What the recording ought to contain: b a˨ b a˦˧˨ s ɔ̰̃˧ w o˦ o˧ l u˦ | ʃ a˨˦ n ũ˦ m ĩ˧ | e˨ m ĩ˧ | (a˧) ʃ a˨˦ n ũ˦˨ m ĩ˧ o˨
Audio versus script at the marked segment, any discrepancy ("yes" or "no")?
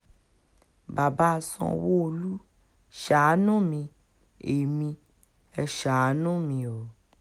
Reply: yes